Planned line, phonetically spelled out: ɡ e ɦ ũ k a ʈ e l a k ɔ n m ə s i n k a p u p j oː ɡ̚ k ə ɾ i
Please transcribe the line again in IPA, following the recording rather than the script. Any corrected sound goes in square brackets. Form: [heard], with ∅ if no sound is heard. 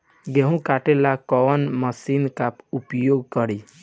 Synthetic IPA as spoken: ɡ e ɦ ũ k a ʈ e l a k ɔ n m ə s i n k a p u p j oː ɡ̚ k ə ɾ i